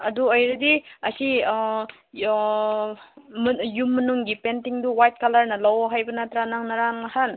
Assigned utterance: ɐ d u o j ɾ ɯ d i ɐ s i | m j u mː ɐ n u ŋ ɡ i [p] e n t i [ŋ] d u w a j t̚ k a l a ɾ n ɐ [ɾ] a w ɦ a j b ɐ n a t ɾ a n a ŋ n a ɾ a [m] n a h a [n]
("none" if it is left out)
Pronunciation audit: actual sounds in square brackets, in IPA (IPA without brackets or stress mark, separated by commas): p, ŋ, l, ŋ, n